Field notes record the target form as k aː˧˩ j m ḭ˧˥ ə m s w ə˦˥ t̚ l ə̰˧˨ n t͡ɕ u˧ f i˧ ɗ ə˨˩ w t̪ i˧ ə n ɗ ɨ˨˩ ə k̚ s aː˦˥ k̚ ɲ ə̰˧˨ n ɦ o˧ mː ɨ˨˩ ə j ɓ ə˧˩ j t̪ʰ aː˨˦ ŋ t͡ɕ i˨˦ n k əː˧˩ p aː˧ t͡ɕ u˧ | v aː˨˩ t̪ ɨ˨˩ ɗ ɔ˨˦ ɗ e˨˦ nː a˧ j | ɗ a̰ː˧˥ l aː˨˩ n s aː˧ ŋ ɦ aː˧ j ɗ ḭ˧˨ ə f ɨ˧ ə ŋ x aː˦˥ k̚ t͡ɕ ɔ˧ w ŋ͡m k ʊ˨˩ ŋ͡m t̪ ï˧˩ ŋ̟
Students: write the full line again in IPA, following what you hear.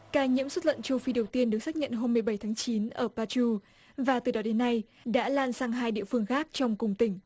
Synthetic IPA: k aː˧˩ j ɲ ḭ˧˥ ə m s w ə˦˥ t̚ l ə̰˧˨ n t͡ɕ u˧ f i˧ ɗ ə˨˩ w t̪ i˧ ə n ɗ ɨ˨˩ ə k̚ s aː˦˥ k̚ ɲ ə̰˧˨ n ɦ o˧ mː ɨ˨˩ ə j ɓ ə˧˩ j t̪ʰ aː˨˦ ŋ t͡ɕ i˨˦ n ʔ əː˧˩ p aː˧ t͡ɕ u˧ | v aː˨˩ t̪ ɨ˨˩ ɗ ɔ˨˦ ɗ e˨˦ nː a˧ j | ɗ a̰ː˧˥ l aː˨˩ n s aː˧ ŋ ɦ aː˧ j ɗ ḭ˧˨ ə f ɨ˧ ə ŋ x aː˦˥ k̚ t͡ɕ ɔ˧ w ŋ͡m k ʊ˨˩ ŋ͡m t̪ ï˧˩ ŋ̟

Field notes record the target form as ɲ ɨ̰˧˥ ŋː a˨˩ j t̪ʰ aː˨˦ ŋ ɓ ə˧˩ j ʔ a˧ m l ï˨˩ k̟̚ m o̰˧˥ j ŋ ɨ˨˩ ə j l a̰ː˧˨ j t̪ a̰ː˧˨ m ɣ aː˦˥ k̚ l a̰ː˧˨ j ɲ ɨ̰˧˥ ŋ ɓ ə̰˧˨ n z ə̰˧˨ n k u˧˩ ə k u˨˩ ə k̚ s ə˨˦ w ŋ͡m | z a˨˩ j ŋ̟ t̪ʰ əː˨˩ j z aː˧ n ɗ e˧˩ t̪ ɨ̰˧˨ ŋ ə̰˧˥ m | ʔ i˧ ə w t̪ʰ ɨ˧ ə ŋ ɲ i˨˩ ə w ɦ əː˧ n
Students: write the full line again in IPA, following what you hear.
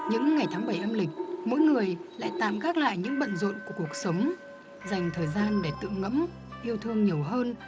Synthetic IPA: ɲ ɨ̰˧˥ ŋː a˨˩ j t̪ʰ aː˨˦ ŋ ɓ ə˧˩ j ʔ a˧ m l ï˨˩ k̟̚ m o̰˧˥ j ŋ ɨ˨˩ ə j l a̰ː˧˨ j t̪ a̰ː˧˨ m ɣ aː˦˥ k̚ l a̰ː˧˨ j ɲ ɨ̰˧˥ ŋ ɓ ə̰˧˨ n z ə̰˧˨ n k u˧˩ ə k u˨˩ ə k̚ s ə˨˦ w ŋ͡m | z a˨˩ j ŋ̟ t̪ʰ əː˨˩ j z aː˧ n ɗ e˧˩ t̪ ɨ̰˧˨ ŋ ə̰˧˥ m | ʔ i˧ ə w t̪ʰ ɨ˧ ə ŋ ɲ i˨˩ ə w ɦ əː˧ n

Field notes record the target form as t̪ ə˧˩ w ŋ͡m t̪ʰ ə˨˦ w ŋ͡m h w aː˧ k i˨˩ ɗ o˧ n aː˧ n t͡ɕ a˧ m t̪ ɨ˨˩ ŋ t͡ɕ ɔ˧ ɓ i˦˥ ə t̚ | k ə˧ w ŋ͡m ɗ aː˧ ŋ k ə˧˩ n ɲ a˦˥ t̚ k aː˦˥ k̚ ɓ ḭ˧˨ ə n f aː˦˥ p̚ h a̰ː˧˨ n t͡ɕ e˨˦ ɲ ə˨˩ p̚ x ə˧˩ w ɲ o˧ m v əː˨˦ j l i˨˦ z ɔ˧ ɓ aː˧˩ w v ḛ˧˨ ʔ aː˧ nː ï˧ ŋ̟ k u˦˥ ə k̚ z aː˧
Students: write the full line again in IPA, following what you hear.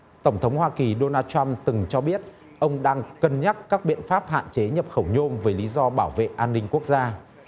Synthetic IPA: t̪ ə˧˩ w ŋ͡m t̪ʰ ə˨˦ w ŋ͡m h w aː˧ k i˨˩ ɗ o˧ n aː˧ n t͡ɕ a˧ m t̪ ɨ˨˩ ŋ t͡ɕ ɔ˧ ɓ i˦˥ ə t̚ | ʔ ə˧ w ŋ͡m ɗ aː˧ ŋ k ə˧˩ n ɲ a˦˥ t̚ k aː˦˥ k̚ ɓ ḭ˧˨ ə n f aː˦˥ p̚ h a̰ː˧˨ n t͡ɕ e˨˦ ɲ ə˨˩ p̚ x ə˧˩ w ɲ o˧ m v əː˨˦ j l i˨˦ z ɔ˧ ɓ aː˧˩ w v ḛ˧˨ ʔ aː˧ nː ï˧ ŋ̟ k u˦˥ ə k̚ z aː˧

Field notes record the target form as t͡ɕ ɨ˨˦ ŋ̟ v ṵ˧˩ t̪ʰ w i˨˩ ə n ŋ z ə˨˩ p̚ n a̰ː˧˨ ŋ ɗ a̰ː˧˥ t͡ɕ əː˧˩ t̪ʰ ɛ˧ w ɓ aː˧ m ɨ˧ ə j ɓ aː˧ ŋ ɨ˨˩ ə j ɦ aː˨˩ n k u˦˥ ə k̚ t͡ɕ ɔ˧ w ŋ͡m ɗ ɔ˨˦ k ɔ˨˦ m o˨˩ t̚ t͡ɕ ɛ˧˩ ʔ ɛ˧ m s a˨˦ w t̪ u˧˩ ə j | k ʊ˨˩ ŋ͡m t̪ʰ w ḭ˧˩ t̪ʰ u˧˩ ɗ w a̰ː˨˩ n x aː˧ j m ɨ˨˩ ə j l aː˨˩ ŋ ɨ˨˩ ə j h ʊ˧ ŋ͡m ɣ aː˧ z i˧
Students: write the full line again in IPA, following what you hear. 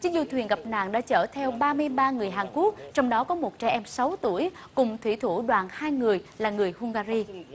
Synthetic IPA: t͡ɕ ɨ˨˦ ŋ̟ z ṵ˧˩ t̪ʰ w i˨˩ ə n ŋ ɣ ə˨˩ p̚ n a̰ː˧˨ ŋ ɗ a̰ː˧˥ t͡ɕ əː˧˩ t̪ʰ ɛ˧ w ɓ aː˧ m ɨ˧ ə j ɓ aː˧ ŋ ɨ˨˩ ə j ɦ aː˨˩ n k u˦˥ ə k̚ t͡ɕ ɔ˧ w ŋ͡m ɗ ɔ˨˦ k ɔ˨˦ m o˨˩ t̚ t͡ɕ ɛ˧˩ ʔ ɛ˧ m s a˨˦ w t̪ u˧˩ ə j | k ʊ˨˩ ŋ͡m t̪ʰ w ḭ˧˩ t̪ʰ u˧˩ ɗ w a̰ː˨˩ n h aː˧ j ŋ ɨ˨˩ ə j l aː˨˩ ŋ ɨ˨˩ ə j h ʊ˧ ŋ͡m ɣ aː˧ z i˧

